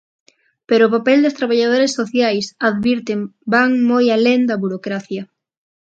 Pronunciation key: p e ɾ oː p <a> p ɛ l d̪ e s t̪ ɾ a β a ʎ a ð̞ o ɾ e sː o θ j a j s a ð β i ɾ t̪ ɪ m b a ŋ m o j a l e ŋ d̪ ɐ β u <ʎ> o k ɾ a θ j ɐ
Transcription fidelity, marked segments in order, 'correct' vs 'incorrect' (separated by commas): correct, incorrect